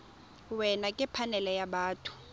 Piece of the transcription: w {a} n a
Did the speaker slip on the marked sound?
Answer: yes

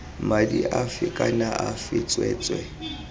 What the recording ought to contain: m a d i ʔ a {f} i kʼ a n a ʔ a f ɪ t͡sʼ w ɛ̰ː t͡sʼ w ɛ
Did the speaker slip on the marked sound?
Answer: no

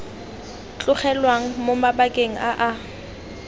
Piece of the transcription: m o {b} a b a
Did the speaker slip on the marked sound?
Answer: yes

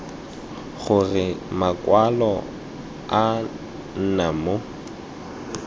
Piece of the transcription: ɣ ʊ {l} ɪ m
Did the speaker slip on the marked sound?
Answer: yes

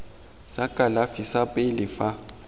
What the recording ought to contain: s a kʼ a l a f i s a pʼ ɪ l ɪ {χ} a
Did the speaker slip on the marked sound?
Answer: yes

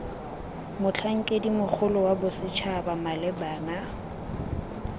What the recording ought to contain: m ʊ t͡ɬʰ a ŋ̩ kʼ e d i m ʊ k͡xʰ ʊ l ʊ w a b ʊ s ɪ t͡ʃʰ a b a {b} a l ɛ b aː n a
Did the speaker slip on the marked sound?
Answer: yes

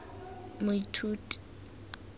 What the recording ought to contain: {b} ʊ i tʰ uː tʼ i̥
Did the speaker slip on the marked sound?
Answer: yes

